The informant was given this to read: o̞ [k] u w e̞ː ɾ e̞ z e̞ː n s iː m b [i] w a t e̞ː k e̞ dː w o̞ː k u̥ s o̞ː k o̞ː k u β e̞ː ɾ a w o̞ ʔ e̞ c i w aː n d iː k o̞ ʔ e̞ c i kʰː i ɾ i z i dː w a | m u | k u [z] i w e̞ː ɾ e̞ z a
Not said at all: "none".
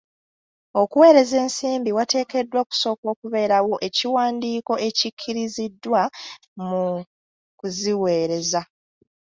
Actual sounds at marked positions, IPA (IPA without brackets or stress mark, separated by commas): k, i, z